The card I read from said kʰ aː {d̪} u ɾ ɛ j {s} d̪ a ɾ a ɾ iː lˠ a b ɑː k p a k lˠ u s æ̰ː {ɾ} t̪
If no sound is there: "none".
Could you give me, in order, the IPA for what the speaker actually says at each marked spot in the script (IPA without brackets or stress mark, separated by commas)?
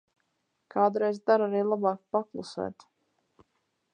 d̪, z, none